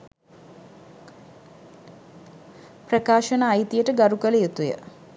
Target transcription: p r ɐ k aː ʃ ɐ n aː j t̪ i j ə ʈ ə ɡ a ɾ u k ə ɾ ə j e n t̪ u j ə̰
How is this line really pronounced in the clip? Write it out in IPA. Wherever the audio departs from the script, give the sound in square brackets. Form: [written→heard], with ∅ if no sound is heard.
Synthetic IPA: p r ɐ k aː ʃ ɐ n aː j t̪ i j ə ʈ ə ɡ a ɾ u k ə [ɾ→l] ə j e [n→∅] t̪ u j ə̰